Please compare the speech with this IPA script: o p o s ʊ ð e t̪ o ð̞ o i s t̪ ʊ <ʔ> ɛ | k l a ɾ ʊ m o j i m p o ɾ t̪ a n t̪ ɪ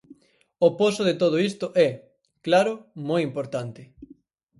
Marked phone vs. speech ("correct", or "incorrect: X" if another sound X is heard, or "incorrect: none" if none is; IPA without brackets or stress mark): correct